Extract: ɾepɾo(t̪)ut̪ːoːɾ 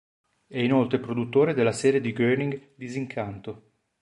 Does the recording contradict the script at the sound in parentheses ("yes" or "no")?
yes